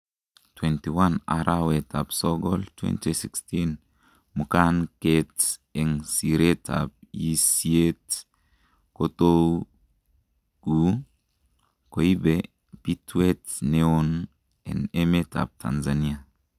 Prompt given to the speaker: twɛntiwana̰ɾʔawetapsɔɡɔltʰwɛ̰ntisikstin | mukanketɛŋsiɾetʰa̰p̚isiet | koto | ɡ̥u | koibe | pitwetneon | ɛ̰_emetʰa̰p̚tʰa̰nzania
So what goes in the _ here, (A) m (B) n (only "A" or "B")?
B